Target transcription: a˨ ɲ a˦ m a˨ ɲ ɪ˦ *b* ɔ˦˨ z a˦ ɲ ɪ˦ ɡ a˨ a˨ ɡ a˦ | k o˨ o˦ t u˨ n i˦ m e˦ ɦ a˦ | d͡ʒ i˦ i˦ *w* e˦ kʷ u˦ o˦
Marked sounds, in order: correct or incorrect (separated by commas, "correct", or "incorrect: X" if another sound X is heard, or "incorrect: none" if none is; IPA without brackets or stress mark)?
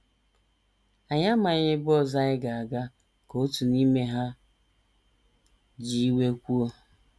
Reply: correct, correct